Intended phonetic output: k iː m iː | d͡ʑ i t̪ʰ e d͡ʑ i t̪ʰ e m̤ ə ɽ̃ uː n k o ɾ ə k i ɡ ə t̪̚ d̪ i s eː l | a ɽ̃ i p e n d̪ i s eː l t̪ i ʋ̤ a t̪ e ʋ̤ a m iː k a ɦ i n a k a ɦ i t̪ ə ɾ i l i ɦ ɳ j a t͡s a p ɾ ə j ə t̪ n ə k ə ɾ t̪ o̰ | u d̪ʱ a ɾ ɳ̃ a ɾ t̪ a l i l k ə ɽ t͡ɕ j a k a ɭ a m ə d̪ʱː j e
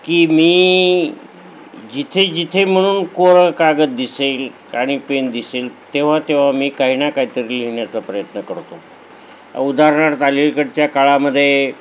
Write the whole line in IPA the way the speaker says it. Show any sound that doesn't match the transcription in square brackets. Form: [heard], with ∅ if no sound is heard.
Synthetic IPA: k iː m iː | d͡ʑ i t̪ʰ e d͡ʑ i t̪ʰ e m̤ ə ɽ̃ uː n k o ɾ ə k [a] ɡ ə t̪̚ d̪ i s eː l | a ɽ̃ i p e n d̪ i s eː l t̪ [e] ʋ̤ a t̪ e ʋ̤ a m iː k a ɦ i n a k a ɦ i t̪ ə ɾ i l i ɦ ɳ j a t͡s a p ɾ ə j ə t̪ n ə k ə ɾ t̪ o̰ | u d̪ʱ a ɾ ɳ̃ a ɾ t̪ a l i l k ə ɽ t͡ɕ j a k a ɭ a m ə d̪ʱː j e